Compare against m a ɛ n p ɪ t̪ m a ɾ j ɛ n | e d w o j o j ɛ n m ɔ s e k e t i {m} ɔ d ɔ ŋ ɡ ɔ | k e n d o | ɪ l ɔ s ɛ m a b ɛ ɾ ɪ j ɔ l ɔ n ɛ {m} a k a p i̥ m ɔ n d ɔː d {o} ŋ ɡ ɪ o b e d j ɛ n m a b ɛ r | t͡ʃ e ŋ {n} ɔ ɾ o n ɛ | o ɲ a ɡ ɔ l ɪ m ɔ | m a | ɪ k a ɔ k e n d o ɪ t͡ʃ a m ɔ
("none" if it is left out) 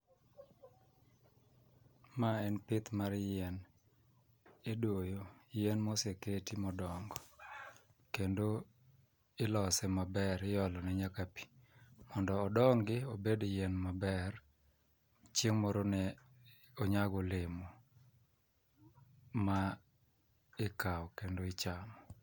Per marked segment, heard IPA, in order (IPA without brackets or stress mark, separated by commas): m, ɲ, ɔ, m